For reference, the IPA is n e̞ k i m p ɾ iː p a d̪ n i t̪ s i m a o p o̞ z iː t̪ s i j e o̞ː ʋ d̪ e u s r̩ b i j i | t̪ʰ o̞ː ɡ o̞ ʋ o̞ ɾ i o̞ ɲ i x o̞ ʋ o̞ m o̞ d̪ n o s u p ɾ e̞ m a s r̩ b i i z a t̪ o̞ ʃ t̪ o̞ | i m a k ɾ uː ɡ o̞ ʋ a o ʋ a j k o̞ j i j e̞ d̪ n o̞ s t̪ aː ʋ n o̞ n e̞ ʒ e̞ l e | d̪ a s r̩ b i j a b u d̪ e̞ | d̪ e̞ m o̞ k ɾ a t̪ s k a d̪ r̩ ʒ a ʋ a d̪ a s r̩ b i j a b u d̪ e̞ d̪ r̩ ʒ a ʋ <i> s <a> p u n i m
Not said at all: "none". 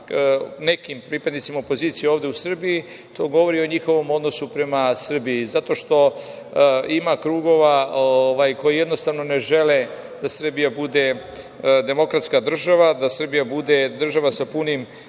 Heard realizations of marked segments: a, a

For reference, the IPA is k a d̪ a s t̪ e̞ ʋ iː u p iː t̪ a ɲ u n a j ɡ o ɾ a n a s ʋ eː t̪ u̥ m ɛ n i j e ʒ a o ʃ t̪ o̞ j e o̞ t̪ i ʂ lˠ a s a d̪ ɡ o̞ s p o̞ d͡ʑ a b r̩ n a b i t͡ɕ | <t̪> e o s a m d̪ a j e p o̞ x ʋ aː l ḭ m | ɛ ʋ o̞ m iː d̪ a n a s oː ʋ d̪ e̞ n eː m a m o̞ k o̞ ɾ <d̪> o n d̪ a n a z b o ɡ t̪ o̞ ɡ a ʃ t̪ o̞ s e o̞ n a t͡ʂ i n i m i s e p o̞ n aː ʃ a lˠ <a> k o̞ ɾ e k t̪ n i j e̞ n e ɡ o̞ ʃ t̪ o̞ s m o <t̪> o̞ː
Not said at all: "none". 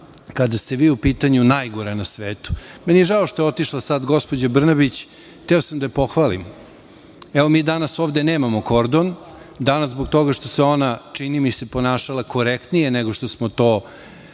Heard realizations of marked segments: t̪, d̪, a, t̪

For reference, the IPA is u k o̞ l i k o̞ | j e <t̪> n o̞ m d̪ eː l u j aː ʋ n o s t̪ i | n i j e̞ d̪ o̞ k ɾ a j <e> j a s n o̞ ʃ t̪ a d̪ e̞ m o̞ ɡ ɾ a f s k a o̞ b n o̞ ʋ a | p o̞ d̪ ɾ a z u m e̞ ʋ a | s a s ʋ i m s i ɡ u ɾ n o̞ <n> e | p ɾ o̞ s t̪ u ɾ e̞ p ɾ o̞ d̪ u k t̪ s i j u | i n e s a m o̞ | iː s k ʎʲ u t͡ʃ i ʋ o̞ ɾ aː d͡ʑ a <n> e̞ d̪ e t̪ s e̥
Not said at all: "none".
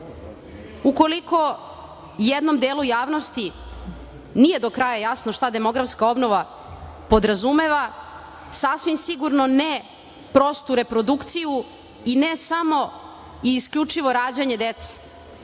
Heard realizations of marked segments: d̪, a, n, ɲ

